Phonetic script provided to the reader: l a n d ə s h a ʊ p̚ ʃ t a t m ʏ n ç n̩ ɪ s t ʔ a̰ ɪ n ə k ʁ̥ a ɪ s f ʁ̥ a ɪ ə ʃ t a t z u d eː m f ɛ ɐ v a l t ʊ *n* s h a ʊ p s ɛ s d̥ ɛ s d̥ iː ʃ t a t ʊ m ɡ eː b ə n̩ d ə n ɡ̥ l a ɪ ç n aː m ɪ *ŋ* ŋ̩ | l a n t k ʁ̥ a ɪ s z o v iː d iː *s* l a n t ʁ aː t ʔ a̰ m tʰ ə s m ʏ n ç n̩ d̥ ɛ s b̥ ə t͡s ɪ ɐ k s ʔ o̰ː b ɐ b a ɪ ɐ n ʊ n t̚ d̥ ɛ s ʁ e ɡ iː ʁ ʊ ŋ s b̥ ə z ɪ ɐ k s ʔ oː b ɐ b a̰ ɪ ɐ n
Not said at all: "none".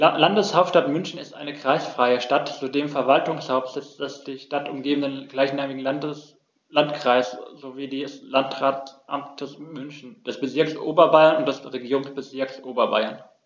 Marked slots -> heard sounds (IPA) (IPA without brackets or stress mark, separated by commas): ŋ, ɡ, s